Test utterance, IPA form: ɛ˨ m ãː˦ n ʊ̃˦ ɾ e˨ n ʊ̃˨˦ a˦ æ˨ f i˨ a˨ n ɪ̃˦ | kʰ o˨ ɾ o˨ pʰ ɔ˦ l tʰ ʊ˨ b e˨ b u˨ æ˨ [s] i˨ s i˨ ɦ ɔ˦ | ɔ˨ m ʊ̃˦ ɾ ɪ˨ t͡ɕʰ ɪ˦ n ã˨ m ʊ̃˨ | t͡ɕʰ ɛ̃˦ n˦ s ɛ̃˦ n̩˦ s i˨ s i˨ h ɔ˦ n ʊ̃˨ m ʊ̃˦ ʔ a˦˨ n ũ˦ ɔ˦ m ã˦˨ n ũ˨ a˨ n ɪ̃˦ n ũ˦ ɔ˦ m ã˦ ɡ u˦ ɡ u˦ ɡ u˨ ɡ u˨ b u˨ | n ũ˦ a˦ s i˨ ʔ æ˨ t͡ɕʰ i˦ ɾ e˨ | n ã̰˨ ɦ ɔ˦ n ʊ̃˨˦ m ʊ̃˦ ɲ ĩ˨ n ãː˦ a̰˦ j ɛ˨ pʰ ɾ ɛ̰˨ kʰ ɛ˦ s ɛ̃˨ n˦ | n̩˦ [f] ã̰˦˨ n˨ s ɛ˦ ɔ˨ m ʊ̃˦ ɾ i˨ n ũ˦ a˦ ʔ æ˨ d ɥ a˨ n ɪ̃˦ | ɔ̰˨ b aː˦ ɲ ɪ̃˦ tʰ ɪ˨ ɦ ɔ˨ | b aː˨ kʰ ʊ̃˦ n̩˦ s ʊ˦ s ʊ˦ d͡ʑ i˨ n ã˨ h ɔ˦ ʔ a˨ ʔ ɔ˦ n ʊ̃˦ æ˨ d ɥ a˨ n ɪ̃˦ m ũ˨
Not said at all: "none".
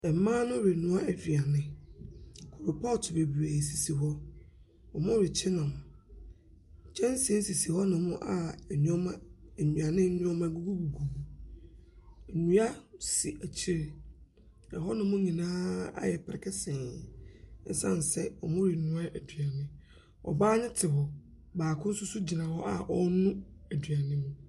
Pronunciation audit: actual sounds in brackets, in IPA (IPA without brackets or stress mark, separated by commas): s, s